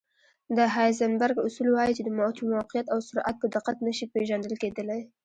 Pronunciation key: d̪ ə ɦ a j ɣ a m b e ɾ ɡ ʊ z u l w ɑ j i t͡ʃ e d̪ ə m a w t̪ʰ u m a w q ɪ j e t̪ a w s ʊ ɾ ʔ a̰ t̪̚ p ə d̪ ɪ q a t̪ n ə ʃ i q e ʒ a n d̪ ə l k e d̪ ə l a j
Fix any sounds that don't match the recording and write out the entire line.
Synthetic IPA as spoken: d̪ ə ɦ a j z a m b a ɾ ɡ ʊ s u l w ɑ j i t͡ʃ e d̪ ə m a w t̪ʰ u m a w q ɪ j a t̪ a w s ʊ ɾ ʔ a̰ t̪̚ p ə d̪ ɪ q a t̪ n ə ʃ i p e ʒ a n d̪ ə l k e d̪ ə l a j